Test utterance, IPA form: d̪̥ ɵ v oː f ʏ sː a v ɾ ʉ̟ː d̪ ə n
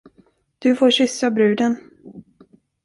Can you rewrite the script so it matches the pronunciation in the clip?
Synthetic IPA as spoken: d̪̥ ɵ f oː ɕ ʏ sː a b ɾ ʉ̟ː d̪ ə n